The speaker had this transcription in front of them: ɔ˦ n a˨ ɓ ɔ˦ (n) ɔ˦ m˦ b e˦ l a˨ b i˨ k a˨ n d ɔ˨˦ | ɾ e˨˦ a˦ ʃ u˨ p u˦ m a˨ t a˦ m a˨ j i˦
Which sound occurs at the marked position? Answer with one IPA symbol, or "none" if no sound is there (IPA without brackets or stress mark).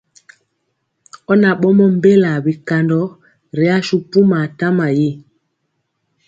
m